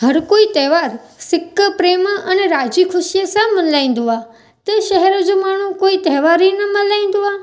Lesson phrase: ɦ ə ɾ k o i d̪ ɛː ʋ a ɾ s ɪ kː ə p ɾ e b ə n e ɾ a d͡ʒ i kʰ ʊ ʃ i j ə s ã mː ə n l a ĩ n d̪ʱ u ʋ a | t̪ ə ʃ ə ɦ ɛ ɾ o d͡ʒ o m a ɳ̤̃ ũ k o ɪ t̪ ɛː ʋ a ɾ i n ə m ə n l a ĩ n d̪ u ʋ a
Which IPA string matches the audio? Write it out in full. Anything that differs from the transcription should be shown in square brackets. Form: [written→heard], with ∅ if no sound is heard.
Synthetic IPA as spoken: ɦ ə ɾ k o i [d̪→t̪] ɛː ʋ a ɾ s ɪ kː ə p ɾ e [b→m] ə n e ɾ a d͡ʒ i kʰ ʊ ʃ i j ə s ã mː ə n l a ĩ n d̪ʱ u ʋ a | t̪ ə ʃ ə ɦ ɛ ɾ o d͡ʒ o m a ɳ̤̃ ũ k o [ɪ→i] t̪ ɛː ʋ a ɾ i n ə m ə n l a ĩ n d̪ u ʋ a